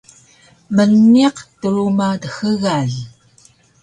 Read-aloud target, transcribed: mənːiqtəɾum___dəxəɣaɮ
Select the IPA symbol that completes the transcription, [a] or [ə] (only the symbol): a